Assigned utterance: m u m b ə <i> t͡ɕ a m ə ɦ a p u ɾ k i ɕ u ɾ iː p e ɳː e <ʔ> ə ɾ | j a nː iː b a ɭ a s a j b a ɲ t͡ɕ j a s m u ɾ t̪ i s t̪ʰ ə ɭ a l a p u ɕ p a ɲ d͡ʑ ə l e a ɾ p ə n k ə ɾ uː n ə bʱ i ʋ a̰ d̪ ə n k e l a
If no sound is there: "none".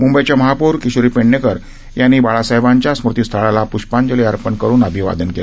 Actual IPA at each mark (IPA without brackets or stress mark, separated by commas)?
j, k